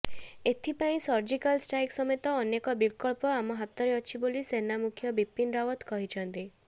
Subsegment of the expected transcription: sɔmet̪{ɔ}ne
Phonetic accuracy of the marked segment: incorrect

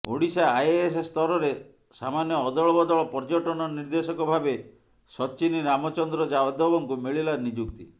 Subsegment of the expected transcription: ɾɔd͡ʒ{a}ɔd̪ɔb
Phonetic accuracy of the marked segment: correct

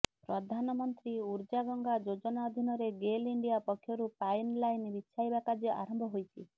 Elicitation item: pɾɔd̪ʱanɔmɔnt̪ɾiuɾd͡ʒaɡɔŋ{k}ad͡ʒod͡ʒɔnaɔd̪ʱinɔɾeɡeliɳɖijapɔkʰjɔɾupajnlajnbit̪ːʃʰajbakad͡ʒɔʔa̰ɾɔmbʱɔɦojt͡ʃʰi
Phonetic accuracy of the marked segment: incorrect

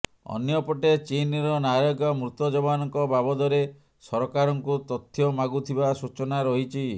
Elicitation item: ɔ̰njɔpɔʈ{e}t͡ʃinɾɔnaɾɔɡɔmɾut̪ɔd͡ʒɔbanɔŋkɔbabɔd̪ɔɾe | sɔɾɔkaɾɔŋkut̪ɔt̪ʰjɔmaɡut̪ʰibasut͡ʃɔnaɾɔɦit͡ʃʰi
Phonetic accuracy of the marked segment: correct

